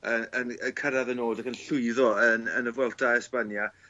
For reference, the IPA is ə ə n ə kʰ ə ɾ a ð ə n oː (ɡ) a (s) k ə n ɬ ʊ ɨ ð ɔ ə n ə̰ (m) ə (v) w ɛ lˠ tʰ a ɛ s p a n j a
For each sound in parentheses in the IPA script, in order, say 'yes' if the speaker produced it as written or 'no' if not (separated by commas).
no, no, no, yes